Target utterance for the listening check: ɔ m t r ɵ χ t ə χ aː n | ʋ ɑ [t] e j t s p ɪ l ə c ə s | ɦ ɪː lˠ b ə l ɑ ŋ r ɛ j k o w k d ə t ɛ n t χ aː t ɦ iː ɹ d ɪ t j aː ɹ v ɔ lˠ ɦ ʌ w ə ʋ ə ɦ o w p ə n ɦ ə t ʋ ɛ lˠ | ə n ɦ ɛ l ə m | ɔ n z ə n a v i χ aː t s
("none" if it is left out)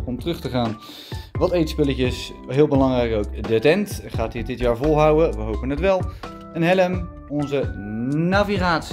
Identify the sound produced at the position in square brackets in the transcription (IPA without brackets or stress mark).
t